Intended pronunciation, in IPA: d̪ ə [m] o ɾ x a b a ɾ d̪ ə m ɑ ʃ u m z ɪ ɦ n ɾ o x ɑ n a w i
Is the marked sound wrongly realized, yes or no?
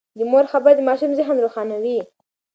no